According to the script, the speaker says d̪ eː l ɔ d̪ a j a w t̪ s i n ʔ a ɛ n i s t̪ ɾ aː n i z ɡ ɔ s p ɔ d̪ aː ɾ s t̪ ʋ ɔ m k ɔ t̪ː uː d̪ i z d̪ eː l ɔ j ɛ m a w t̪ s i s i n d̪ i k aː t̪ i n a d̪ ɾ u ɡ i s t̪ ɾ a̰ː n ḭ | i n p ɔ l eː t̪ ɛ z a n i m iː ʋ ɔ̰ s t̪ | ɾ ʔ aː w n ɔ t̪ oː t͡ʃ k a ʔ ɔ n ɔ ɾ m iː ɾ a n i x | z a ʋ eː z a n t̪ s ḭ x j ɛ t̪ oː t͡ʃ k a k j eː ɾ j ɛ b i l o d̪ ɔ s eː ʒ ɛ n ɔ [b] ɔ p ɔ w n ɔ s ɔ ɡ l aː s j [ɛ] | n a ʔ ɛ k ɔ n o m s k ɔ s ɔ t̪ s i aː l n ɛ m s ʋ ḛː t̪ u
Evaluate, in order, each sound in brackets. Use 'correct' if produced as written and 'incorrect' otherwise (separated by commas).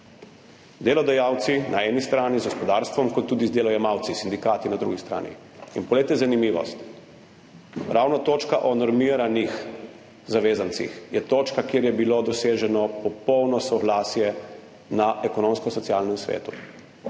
incorrect, correct